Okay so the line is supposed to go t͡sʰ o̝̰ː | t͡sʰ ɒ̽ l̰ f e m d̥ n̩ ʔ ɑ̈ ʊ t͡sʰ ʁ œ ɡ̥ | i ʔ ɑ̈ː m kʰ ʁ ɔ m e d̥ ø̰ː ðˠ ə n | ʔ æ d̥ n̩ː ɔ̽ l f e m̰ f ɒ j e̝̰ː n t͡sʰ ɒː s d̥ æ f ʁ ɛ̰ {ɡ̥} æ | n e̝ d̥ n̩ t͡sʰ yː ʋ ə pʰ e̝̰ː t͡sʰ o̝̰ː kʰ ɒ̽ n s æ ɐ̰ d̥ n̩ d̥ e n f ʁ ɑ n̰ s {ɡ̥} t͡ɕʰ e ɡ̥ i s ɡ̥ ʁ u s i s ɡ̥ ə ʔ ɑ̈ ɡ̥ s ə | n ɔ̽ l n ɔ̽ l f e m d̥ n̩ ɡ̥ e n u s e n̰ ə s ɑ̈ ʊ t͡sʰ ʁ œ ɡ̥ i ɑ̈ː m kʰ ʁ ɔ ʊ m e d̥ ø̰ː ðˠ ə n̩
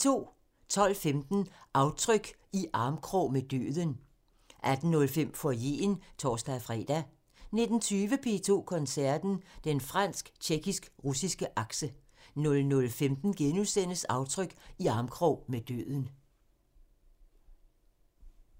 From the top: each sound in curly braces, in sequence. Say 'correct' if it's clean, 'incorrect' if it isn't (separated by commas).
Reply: incorrect, correct